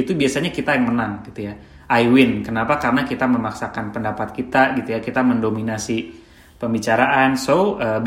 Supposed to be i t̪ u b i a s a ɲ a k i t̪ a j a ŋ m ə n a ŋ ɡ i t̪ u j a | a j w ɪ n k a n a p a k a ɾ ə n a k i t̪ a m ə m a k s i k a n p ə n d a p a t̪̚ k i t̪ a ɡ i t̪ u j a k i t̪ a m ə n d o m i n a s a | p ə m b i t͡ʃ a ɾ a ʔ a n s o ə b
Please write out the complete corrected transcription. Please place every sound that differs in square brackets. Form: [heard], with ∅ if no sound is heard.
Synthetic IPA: i t̪ u b i a s a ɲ a k i t̪ a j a ŋ m ə n a ŋ ɡ i t̪ u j a | a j w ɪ n k [ə] n a p a k a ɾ ə n a k i t̪ a m ə m a k s [a] k a n p ə n d a p a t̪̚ k i t̪ a ɡ i t̪ u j a k i t̪ a m ə n d o m i n a s [i] | p ə m b i t͡ʃ a ɾ a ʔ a n s o ə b